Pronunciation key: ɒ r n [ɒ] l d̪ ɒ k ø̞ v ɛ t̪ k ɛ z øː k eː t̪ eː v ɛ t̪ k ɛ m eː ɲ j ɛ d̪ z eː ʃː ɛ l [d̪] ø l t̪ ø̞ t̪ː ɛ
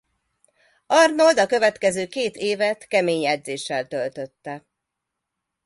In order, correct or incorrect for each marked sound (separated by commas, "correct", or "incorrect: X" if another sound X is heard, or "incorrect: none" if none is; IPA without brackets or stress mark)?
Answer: incorrect: o, incorrect: t̪